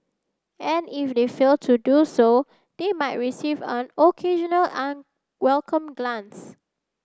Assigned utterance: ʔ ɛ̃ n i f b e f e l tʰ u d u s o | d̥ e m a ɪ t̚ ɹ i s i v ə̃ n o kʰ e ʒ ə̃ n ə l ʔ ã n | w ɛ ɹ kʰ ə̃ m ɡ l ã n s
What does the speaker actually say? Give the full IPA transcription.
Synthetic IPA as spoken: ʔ ɛ̃ n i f d e f e l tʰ u d u s o | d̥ e m a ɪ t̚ ɹ i s i v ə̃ n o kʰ e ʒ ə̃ n ə l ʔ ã n | w ɛ l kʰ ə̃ m ɡ l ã n s